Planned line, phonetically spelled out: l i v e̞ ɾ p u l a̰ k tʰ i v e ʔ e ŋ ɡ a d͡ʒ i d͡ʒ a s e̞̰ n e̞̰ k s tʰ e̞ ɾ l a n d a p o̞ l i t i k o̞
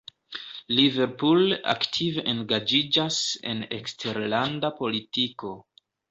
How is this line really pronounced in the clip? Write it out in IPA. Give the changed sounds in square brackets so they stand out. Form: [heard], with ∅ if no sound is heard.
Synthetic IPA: l i v e̞ ɾ p u l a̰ k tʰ i v e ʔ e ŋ ɡ a d͡ʒ i d͡ʒ a s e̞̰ n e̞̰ k s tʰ e̞ ɾ l a n d a p o̞ l i t i k o̞